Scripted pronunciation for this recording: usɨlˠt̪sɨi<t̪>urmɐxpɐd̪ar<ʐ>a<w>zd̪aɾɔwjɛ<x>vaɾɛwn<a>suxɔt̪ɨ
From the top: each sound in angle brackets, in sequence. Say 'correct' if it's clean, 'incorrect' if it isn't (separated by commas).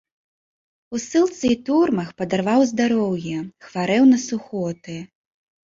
correct, incorrect, correct, correct, incorrect